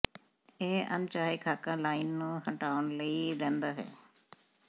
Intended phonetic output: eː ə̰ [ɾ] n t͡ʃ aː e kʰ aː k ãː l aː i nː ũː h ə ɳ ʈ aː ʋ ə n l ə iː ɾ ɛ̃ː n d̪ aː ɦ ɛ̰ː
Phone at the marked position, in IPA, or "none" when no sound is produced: none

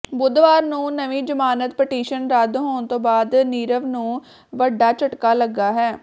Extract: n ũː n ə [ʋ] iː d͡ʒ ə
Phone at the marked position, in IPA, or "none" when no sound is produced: ʋ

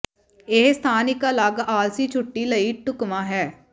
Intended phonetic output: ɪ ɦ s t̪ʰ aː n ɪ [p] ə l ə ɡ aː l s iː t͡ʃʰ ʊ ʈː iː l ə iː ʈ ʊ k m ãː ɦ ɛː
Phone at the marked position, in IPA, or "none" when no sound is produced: k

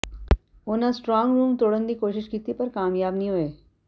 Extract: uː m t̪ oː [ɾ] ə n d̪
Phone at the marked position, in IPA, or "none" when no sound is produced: ɽ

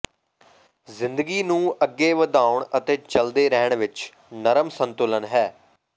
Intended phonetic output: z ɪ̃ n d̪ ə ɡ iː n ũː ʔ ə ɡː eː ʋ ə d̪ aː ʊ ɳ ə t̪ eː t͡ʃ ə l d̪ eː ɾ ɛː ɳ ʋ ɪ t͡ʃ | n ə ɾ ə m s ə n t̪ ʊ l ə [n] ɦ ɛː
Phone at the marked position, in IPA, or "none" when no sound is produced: n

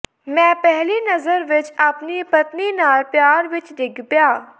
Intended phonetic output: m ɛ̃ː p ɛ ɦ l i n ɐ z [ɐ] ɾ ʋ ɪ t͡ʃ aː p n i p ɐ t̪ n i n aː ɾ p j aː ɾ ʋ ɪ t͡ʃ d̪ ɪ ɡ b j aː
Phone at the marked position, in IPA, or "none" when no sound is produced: ə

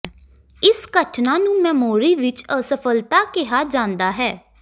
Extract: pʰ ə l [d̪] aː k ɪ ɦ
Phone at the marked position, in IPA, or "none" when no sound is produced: t̪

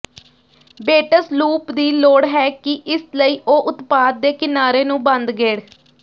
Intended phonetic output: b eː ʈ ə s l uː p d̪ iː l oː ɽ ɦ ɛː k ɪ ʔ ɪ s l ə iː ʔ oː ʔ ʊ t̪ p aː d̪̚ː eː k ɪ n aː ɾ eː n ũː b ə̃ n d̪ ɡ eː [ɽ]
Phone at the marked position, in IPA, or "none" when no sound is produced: ɽ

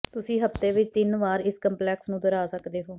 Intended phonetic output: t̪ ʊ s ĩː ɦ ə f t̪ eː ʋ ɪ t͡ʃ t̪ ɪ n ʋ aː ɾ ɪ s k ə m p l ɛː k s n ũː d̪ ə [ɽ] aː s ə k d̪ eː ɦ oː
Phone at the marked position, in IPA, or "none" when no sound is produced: ɾ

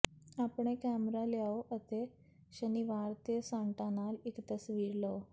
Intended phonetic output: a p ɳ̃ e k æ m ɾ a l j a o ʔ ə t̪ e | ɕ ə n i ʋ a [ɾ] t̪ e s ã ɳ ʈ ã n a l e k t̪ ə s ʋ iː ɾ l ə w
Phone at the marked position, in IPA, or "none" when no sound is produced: ɾ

